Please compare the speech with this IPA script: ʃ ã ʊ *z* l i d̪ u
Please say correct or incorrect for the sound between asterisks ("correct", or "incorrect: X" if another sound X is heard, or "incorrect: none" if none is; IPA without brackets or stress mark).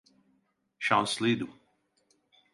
incorrect: s